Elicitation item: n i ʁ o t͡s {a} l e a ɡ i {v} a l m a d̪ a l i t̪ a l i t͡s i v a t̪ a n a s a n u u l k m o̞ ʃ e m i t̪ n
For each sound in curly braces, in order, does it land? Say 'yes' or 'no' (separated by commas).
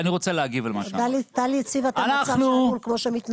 no, yes